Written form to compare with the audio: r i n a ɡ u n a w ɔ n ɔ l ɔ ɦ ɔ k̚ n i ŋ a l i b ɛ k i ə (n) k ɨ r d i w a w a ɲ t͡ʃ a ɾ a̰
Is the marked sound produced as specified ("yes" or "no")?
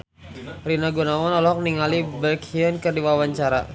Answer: yes